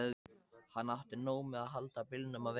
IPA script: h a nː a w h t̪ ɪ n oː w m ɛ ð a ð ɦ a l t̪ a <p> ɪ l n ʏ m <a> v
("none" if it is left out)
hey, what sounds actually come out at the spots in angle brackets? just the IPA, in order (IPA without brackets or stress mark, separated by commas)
p, a